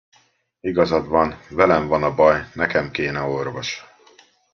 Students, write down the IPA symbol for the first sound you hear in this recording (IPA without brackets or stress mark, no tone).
i